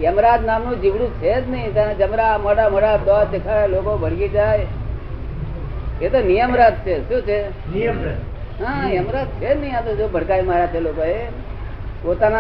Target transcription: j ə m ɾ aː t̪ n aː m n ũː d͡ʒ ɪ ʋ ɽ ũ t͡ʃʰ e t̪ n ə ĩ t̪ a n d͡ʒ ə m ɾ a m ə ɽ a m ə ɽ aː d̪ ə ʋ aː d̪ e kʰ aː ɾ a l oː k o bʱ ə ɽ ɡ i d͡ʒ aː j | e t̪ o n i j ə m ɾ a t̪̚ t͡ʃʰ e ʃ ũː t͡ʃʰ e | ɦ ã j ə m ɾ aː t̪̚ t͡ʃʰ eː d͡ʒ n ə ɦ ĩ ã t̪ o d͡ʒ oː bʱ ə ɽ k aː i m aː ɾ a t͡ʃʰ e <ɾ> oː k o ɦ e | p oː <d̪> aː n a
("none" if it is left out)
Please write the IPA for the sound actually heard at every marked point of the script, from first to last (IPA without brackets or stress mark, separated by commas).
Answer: l, t̪